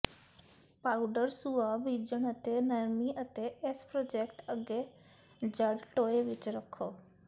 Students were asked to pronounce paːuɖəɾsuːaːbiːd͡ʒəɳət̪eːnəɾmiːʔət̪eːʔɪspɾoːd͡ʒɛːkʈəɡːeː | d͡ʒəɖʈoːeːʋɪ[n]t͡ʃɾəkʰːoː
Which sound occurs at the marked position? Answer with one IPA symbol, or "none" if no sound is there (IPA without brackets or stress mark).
none